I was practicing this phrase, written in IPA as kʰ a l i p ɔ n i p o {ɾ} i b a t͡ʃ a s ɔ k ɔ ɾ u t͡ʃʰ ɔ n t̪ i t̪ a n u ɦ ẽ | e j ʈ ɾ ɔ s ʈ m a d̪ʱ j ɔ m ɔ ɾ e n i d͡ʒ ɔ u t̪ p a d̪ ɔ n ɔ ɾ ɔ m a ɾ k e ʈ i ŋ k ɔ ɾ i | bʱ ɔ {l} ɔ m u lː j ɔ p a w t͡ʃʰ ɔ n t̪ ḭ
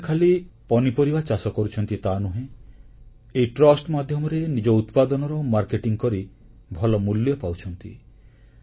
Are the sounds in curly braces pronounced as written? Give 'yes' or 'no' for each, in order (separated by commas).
yes, yes